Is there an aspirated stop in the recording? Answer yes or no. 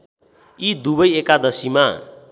no